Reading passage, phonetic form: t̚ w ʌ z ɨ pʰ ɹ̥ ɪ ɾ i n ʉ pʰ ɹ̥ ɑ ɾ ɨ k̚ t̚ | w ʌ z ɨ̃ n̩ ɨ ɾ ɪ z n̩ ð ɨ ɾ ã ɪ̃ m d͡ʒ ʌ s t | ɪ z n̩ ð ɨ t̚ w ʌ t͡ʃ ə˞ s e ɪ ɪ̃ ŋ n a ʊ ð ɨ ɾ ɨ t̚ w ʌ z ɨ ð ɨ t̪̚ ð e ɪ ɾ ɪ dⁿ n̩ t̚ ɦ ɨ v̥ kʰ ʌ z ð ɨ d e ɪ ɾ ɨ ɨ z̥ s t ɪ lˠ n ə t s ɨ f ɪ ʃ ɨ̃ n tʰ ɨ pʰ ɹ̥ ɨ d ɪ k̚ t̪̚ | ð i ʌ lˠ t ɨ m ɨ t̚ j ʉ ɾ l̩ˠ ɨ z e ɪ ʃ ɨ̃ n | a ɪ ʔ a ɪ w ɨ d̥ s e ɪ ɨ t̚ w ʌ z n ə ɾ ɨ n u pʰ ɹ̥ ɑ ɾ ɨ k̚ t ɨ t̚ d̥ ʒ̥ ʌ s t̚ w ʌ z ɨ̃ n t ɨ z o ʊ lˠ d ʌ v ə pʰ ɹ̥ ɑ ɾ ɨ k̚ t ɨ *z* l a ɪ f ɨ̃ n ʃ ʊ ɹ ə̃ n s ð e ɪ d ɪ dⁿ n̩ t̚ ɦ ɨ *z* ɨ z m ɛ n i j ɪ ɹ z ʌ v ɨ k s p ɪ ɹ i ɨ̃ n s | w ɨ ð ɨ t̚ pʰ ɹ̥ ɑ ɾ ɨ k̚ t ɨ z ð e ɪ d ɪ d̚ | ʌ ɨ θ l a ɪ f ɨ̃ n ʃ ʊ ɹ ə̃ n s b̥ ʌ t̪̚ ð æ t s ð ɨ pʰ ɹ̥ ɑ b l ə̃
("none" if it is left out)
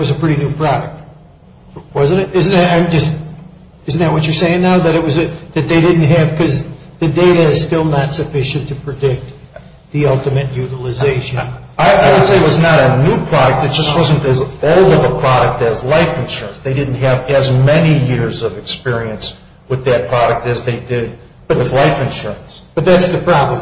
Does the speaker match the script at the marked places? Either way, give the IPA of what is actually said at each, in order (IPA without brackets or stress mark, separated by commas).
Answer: z, v